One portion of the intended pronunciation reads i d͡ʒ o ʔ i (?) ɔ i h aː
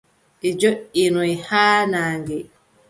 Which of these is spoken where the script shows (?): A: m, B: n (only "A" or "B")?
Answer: B